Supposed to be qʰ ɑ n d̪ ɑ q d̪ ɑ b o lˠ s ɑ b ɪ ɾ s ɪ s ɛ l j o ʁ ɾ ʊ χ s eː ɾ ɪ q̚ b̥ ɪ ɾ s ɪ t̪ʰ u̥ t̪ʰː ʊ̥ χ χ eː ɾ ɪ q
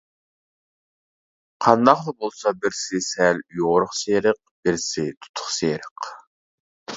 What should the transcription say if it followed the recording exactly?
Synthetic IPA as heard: qʰ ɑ n d̪ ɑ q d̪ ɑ b o lˠ s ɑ b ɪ ɾ s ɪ s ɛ l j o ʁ ɾ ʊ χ s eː ɾ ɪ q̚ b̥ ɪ ɾ s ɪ t̪ʰ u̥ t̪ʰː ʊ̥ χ s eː ɾ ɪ q